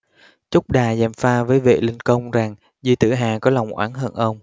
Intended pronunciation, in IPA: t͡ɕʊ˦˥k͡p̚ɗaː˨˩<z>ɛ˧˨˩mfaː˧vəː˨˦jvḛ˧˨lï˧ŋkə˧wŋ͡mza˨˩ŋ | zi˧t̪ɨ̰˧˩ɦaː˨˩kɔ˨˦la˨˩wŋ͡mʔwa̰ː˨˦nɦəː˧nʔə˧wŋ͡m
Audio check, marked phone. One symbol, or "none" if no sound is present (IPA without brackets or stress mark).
z